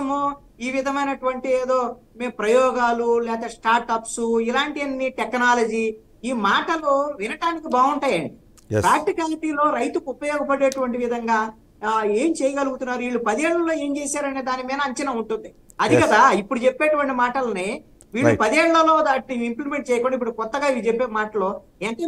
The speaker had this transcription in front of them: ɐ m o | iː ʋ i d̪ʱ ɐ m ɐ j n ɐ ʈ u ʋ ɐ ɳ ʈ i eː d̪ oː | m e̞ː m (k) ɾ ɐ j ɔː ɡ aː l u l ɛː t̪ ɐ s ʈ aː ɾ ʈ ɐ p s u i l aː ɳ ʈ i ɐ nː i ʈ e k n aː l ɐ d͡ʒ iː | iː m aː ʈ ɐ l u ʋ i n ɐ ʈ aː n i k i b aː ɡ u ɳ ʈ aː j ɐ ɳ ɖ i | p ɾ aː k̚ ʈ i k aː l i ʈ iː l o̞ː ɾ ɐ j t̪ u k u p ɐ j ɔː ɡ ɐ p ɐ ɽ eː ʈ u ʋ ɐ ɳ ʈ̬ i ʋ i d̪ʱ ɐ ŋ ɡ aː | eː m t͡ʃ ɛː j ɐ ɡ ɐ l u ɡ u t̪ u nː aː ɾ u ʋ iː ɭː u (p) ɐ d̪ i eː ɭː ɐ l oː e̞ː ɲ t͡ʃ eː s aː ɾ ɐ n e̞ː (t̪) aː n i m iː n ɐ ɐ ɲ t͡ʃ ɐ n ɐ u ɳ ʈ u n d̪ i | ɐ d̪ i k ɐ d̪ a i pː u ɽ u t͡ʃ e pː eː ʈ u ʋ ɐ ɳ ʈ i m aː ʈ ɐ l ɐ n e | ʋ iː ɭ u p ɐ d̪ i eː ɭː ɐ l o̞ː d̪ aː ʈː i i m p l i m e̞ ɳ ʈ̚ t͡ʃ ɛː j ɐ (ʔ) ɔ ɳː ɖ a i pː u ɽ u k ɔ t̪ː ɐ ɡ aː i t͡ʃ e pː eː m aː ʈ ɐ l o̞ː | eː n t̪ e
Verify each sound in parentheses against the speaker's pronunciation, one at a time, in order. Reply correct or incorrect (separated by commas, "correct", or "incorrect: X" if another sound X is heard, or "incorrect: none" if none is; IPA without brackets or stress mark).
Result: incorrect: p, correct, incorrect: d̪, incorrect: k